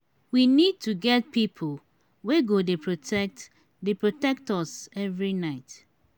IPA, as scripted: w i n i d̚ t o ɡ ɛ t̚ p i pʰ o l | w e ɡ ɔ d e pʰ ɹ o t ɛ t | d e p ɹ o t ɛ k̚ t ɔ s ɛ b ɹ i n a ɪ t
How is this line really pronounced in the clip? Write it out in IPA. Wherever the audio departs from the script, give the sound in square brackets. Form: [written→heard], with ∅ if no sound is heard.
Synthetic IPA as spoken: w i n i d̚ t [o→u] ɡ ɛ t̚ p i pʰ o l | w e ɡ [ɔ→o] d e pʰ ɹ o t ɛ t | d e p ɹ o t ɛ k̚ t ɔ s ɛ [b→v] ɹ i n a ɪ t